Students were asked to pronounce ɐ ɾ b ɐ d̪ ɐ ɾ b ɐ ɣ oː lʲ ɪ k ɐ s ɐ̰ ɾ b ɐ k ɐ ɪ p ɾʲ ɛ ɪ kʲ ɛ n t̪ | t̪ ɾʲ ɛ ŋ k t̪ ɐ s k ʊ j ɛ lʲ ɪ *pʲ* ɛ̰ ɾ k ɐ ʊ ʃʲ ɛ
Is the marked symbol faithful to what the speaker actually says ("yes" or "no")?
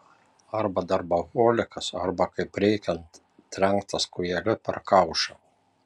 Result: yes